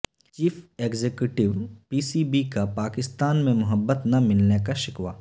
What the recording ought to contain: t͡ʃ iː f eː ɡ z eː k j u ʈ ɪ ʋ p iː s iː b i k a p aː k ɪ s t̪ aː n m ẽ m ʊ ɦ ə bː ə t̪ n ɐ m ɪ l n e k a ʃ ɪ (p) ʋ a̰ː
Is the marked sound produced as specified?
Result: no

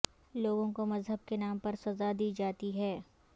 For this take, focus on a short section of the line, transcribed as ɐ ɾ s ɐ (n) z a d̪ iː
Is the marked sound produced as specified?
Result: no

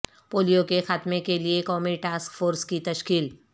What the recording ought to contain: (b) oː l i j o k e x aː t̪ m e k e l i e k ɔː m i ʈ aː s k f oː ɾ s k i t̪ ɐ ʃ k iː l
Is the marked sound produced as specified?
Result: no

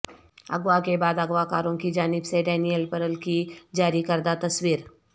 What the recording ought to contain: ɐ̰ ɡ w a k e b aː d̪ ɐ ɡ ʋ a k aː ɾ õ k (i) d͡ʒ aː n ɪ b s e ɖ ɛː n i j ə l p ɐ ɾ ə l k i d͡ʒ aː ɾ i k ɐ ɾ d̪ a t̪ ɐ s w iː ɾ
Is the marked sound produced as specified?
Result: yes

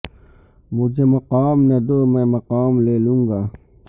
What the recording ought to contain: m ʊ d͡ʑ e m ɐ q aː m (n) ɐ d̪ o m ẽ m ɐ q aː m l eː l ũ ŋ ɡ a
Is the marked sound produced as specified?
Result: yes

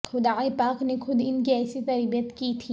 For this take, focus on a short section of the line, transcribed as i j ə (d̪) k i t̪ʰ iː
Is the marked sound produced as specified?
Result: no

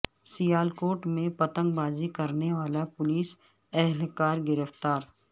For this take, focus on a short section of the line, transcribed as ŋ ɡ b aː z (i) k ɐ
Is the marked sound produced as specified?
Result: yes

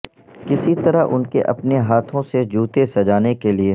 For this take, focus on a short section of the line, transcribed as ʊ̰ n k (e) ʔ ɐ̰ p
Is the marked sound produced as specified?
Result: yes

